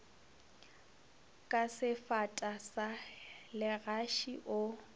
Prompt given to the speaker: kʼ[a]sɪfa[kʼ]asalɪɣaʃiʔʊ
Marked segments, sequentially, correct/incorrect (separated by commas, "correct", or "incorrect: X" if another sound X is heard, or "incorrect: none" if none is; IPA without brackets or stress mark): correct, incorrect: tʼ